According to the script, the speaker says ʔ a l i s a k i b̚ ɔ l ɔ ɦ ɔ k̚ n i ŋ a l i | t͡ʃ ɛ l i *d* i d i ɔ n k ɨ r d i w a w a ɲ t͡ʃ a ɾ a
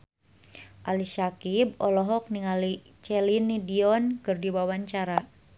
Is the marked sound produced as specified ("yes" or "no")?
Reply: no